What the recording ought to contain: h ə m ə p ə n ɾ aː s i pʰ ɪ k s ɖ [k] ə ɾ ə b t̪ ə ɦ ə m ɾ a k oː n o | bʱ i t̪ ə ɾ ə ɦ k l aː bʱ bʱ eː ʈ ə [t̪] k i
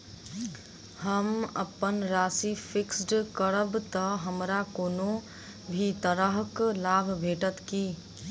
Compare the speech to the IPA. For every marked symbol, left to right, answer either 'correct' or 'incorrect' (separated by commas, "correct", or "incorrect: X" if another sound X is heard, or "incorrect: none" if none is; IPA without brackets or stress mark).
correct, correct